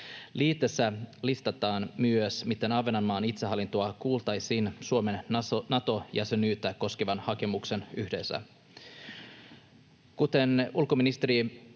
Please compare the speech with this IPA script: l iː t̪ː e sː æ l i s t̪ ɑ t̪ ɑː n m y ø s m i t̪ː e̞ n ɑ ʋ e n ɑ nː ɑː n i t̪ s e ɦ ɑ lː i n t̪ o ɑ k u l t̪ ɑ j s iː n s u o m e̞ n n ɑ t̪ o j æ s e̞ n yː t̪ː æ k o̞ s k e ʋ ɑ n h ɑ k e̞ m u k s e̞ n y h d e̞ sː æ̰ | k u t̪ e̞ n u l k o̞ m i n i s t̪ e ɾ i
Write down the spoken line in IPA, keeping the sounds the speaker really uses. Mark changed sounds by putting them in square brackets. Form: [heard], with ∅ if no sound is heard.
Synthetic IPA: l iː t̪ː e sː æ l i s t̪ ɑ t̪ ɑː n m y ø s m i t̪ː e̞ n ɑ ʋ e n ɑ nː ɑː n i t̪ s e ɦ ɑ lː i n t̪ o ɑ k [uː] l t̪ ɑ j s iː n s u o m e̞ n n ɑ t̪ o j æ s e̞ n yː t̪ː æ k o̞ s k e ʋ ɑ n h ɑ k e̞ m u k s e̞ n y h d e̞ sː æ̰ | k u t̪ e̞ n u l k o̞ m i n i s t̪ e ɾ i